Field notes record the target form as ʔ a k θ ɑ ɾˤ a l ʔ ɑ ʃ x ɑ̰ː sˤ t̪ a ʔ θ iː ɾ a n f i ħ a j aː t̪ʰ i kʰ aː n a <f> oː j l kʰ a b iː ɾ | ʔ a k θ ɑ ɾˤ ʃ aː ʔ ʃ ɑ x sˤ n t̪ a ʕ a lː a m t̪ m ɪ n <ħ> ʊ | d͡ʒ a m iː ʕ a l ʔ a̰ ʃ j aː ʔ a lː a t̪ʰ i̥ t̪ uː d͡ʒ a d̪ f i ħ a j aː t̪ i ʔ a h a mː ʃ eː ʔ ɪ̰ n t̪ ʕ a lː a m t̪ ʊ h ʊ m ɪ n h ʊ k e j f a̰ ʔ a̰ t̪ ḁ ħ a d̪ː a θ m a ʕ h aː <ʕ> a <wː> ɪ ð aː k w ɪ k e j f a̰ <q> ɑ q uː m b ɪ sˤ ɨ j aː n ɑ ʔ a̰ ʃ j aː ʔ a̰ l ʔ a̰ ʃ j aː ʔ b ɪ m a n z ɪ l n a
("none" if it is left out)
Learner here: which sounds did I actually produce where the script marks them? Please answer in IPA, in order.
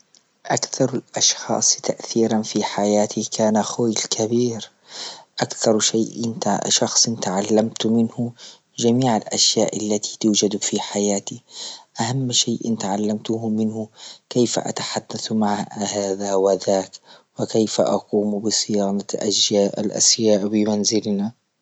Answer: x, h, ð, w, ʔ

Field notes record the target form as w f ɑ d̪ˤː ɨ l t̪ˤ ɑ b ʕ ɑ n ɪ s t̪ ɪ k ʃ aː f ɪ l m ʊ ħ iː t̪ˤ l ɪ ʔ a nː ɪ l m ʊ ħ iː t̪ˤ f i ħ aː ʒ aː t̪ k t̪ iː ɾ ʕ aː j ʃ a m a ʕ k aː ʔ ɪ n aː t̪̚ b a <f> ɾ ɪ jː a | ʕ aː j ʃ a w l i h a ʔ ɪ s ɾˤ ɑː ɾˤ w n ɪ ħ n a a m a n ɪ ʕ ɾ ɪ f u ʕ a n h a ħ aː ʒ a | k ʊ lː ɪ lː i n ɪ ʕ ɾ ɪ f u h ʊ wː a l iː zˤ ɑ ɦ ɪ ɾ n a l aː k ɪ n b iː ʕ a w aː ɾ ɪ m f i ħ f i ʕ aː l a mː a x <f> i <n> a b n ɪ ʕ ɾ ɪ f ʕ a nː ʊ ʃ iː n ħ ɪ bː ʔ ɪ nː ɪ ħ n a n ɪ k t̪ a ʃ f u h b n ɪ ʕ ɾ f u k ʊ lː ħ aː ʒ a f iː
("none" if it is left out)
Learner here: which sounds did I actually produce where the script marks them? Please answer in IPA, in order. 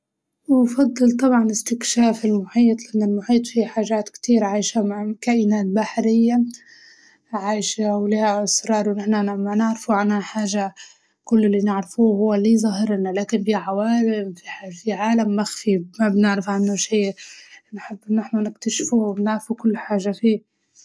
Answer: ħ, f, m

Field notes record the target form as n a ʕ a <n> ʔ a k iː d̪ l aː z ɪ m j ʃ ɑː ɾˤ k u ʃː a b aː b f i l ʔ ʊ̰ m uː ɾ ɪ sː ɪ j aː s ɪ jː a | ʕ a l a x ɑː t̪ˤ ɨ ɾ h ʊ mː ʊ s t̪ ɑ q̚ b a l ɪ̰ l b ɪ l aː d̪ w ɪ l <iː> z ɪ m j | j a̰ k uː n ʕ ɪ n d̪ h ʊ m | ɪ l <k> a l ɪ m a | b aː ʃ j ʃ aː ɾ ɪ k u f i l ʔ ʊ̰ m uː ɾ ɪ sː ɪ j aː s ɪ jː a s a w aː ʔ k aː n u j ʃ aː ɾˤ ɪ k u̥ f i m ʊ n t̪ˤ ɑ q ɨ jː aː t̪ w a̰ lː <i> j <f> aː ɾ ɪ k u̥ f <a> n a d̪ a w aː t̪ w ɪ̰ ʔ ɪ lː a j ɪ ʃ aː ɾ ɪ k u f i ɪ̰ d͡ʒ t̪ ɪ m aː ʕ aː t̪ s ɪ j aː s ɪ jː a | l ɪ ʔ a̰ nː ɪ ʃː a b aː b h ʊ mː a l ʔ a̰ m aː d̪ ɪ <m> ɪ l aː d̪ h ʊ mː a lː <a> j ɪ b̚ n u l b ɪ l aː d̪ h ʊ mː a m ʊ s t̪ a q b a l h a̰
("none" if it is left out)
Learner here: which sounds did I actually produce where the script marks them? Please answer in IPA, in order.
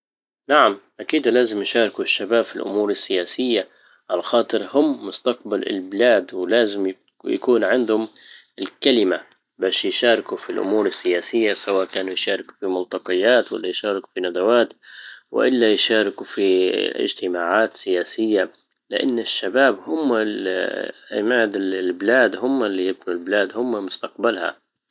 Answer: m, aː, k, a, ʃ, i, b, i

